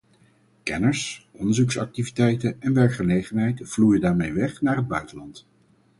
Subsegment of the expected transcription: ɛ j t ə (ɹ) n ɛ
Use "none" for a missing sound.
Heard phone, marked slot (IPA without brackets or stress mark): none